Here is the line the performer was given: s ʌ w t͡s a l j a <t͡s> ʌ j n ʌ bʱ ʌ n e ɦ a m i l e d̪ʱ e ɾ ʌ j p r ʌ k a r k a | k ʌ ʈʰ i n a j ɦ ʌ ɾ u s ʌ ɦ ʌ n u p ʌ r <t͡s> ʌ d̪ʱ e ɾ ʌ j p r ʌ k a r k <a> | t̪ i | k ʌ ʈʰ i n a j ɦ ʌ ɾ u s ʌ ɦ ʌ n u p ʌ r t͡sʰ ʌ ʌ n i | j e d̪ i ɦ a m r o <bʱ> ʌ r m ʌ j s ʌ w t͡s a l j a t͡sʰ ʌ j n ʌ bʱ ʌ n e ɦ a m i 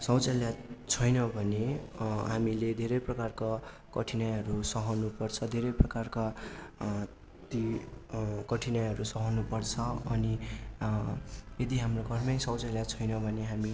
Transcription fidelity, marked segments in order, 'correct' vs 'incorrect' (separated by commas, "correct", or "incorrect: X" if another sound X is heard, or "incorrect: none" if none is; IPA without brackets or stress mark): incorrect: t͡sʰ, incorrect: t͡sʰ, correct, incorrect: ɡʱ